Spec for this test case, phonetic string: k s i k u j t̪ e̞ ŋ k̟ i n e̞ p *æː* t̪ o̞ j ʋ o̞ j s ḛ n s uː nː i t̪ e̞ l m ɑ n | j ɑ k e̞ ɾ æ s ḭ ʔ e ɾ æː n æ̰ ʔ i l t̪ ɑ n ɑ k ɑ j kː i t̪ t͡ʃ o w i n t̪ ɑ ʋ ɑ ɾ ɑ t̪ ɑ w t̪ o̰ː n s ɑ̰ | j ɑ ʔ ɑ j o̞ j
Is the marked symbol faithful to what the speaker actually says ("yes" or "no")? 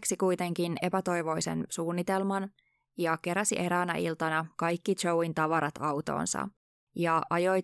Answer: no